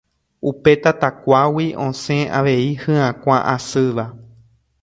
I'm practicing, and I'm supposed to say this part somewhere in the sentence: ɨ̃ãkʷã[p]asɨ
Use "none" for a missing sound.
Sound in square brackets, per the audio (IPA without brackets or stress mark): ʔ